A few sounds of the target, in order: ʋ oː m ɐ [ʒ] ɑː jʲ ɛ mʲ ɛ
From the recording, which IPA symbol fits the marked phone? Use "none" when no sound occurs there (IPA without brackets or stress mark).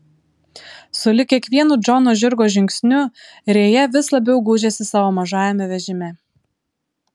ʒ